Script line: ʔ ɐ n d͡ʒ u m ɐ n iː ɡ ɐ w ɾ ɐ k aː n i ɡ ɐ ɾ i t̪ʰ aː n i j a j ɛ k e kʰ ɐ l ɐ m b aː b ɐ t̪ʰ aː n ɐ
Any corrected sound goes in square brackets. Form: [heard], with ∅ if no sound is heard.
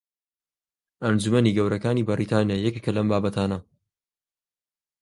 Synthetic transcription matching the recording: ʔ ɐ n d͡ʒ u m ɐ n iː ɡ ɐ w ɾ ɐ k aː n i [b] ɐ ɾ i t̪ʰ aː n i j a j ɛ k e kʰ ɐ l ɐ m b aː b ɐ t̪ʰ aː n ɐ